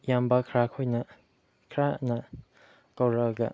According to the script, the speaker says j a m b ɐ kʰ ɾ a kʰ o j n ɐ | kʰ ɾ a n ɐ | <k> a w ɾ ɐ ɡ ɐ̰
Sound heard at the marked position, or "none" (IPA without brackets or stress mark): k